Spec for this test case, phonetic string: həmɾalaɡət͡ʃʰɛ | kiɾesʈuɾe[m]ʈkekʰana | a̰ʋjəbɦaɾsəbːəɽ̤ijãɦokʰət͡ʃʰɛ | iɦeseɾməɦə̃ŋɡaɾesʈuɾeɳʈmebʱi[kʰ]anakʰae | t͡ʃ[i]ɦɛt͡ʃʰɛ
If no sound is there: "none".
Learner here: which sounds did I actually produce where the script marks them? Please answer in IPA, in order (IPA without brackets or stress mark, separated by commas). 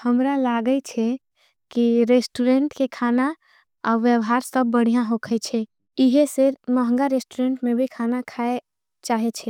ɳ, kʰ, a